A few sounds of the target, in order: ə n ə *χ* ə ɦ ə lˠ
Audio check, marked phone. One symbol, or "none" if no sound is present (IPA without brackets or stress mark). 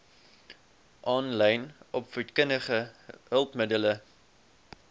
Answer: χ